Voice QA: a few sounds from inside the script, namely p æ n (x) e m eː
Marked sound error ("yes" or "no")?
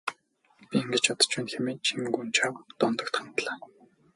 no